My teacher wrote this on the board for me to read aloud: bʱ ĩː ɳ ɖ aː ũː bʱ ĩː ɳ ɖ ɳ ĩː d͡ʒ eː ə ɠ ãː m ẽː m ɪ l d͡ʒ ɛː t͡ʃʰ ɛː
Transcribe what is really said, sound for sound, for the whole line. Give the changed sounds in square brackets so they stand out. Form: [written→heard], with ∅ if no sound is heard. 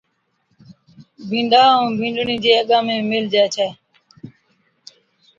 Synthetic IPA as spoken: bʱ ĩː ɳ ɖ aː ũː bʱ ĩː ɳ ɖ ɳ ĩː d͡ʒ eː ə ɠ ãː m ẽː m ɪ l d͡ʒ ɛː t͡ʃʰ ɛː